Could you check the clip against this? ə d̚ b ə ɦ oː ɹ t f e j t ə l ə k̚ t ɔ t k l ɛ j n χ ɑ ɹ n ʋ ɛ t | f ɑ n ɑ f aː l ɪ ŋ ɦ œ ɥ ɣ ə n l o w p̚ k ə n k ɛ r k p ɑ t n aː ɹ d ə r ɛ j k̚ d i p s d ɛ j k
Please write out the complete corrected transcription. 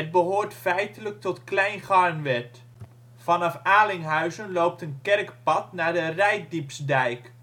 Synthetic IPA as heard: ə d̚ b ə ɦ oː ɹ t f ɛ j t ə l ə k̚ t ɔ t k l ɛ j n χ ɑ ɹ n ʋ ɛ t | f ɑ n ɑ f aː l ɪ ŋ ɦ œ ɥ z ə n l o w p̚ t ə n k ɛ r k p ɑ t n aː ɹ d ə r ɛ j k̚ d i p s d ɛ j k